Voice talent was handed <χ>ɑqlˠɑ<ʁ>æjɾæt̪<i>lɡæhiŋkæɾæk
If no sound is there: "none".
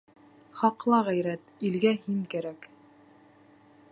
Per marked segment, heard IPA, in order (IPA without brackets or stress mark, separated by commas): χ, ʁ, i